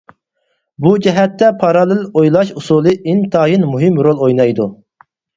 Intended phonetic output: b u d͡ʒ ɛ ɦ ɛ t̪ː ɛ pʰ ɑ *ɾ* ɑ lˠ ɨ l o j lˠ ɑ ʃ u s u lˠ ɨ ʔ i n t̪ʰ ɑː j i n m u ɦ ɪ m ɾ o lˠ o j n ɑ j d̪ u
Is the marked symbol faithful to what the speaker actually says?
yes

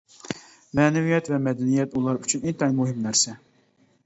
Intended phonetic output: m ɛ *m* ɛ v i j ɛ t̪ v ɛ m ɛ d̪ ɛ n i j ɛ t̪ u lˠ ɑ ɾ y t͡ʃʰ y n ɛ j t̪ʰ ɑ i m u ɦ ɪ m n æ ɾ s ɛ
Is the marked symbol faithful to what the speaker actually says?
no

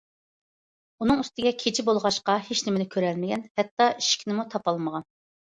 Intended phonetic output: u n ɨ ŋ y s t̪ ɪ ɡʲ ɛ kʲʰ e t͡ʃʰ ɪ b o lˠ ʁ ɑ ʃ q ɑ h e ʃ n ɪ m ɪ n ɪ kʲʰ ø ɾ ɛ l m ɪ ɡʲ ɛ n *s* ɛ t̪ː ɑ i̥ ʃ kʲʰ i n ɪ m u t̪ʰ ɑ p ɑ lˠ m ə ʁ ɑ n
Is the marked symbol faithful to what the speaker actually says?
no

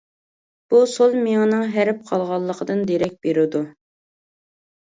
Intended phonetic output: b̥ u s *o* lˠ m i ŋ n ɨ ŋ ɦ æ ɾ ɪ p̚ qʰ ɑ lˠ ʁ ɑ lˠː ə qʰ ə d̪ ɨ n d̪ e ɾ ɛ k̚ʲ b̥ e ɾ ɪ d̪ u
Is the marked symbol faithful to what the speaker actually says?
yes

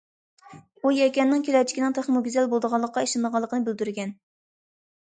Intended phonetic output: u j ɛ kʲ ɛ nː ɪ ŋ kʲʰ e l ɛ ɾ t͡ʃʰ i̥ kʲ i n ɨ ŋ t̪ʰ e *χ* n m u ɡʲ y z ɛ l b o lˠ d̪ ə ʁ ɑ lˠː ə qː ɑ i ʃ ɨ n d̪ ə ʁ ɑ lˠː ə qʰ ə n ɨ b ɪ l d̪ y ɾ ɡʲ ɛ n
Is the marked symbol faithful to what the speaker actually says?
yes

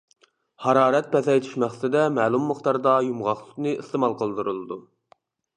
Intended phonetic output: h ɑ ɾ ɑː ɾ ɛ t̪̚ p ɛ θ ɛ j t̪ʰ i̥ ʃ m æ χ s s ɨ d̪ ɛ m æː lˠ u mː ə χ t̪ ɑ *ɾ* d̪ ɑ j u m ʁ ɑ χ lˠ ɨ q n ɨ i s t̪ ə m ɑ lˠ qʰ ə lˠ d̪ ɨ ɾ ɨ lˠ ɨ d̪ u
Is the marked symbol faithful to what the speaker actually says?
yes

